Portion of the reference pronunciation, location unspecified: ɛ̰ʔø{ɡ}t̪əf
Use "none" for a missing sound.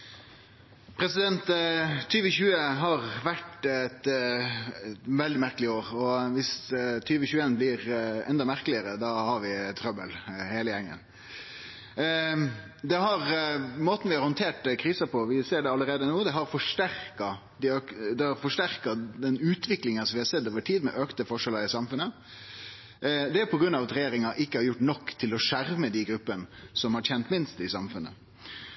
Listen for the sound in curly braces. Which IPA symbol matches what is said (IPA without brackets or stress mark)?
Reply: k